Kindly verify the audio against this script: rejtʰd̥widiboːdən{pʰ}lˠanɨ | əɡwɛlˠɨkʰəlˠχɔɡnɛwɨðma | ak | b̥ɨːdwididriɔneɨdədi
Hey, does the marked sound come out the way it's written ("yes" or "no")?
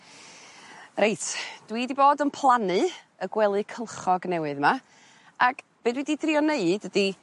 yes